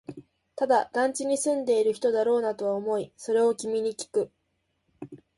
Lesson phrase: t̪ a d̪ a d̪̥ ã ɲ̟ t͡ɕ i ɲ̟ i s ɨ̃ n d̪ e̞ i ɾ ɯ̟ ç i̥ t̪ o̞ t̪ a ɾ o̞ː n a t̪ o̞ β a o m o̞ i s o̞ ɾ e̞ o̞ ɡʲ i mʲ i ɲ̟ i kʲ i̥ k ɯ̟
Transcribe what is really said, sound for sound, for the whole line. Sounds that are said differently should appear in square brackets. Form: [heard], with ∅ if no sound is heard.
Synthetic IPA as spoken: t̪ a d̪ a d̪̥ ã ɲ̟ t͡ɕ i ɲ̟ i s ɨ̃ n d̪ e̞ i ɾ ɯ̟ ç i̥ t̪ o̞ [d̪] a ɾ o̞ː n a t̪ o̞ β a o m o̞ i s o̞ ɾ e̞ o̞ [kʲ] i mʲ i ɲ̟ i kʲ i̥ k ɯ̟

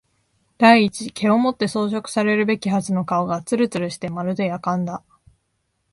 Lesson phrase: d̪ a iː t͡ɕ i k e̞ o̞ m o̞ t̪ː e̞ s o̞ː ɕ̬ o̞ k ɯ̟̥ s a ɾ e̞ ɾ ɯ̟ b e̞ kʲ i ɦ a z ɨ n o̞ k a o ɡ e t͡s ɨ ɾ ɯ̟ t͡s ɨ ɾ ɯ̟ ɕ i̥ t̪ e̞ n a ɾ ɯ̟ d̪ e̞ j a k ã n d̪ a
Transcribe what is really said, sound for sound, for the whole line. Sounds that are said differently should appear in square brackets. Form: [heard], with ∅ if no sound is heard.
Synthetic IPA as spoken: d̪ a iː t͡ɕ i k e̞ o̞ m o̞ t̪ː e̞ s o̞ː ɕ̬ o̞ k ɯ̟̥ s a ɾ e̞ ɾ ɯ̟ b e̞ kʲ i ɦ a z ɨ n o̞ k a o ɡ [a] t͡s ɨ ɾ ɯ̟ t͡s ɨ ɾ ɯ̟ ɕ i̥ t̪ e̞ [m] a ɾ ɯ̟ d̪ e̞ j a k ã n d̪ a

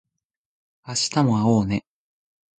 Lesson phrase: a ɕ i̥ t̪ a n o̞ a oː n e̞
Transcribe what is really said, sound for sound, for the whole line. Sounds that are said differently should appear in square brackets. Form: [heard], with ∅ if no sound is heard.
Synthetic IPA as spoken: a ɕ i̥ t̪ a [m] o̞ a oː n e̞

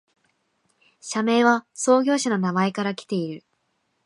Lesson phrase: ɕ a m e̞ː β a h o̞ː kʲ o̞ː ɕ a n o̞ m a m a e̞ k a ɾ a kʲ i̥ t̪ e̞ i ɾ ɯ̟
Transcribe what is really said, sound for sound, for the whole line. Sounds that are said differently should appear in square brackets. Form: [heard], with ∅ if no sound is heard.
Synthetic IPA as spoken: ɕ a m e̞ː β a [s] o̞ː [ɡʲ] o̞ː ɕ a n o̞ [n] a m a e̞ k a ɾ a kʲ i̥ t̪ e̞ i ɾ ɯ̟

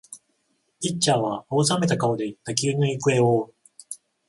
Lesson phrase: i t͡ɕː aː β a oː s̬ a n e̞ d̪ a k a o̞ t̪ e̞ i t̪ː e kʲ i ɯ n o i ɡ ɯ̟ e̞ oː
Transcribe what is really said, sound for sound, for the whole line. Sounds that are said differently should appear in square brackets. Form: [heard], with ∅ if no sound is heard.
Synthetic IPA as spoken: i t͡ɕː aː β a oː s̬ a [m] e̞ [t̪] a k a o̞ [d̪] e̞ i t̪ː [a] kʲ i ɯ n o i [k] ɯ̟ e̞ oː

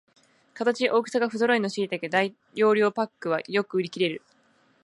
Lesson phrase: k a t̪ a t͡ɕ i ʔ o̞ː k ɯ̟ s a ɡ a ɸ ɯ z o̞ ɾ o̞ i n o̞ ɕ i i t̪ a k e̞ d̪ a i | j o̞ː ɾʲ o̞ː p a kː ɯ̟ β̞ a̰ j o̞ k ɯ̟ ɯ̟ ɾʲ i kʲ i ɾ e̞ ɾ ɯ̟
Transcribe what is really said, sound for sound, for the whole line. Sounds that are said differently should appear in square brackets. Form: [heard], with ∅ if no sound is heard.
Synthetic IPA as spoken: k a t̪ a t͡ɕ i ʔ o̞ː k ɯ̟ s a ɡ a ɸ ɯ z o̞ ɾ o̞ i n o̞ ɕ i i t̪ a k e̞ d̪ a i | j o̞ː ɾʲ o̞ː p a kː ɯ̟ β̞ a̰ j o̞ k ɯ̟ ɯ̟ ɾʲ i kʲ i ɾ e̞ ɾ ɯ̟

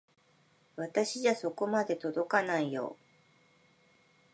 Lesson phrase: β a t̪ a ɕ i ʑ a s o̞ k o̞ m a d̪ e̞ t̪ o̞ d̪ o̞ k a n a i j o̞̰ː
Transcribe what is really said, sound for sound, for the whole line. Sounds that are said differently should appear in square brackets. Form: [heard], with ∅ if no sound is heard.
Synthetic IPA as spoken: β a t̪ a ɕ i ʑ a s o̞ k o̞ m a d̪ e̞ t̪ o̞ d̪ o̞ k a n a i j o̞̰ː

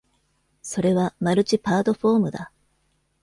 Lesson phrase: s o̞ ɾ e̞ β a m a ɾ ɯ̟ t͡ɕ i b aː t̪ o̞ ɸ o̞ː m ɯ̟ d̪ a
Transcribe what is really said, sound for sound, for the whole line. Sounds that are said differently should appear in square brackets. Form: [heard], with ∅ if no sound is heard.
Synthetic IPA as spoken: s o̞ ɾ e̞ β a m a ɾ ɯ̟ t͡ɕ i [p] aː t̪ o̞ ɸ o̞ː m ɯ̟ d̪ a

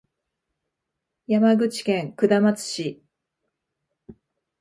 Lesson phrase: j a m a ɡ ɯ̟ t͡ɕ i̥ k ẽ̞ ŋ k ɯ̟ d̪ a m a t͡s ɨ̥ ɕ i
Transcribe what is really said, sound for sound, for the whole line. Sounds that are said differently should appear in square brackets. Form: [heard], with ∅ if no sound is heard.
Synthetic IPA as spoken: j a m a ɡ ɯ̟ t͡ɕ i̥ k ẽ̞ ŋ k ɯ̟ d̪ a m a t͡s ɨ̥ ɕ i

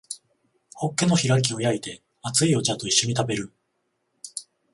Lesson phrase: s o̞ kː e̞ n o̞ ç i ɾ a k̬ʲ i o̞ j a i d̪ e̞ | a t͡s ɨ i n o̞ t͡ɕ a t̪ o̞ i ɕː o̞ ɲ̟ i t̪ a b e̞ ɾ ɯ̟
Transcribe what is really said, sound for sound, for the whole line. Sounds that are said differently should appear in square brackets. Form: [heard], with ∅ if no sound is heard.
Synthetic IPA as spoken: [h] o̞ kː e̞ n o̞ ç i ɾ a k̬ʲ i o̞ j a i [t̪] e̞ | a t͡s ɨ i [∅] o̞ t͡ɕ a t̪ o̞ i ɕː o̞ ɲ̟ i t̪ a b e̞ ɾ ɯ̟

